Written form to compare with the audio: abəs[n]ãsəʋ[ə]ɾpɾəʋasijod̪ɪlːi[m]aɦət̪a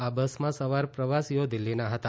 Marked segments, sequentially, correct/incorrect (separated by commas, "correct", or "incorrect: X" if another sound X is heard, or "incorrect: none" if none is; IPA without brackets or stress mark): incorrect: m, incorrect: a, incorrect: n